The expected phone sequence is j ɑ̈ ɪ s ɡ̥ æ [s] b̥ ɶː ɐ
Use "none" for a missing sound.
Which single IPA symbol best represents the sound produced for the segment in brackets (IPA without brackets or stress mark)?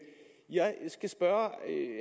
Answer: s